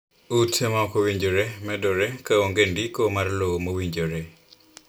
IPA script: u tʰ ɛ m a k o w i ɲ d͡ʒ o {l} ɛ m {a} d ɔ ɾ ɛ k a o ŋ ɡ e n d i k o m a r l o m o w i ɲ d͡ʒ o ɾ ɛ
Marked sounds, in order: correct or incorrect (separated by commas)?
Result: incorrect, incorrect